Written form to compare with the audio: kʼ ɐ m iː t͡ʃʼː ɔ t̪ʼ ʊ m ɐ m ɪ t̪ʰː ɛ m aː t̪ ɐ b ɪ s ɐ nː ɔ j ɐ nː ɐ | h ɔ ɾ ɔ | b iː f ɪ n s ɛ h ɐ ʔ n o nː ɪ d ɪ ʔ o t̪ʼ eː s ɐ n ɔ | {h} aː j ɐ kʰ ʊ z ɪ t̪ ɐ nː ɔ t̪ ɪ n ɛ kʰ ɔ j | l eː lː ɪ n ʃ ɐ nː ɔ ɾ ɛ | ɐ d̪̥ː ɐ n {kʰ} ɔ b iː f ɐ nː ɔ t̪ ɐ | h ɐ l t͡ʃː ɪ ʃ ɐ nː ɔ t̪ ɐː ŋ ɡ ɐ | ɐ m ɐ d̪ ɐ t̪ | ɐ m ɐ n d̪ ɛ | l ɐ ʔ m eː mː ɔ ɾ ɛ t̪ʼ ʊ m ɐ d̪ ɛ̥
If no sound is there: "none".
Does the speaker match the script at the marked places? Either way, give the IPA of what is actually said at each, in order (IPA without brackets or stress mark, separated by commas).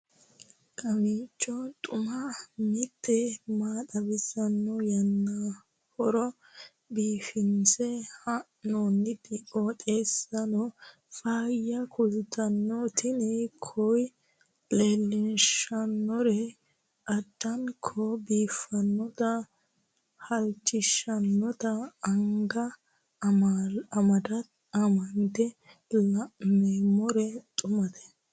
f, kʰ